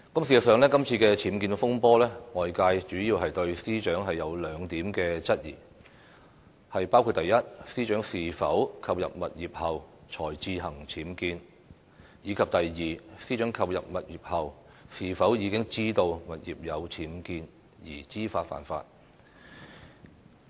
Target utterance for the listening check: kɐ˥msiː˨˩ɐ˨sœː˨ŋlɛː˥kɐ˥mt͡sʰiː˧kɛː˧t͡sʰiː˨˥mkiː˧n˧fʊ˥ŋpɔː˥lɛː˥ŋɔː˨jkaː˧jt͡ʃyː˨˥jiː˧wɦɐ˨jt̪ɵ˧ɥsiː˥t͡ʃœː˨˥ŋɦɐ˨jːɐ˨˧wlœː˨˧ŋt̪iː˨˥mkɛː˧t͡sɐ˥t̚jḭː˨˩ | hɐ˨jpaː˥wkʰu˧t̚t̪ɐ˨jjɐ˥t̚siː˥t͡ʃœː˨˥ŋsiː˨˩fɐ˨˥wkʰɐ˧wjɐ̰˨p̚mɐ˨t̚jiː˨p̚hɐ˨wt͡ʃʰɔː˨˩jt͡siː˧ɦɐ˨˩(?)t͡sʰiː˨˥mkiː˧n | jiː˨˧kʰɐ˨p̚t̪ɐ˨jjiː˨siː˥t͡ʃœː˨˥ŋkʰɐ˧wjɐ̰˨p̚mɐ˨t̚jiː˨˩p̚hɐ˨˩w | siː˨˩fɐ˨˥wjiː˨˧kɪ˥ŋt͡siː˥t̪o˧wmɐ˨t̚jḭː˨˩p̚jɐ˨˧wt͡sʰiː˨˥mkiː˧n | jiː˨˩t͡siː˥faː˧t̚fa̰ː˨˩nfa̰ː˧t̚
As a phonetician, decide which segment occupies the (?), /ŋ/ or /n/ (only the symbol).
ŋ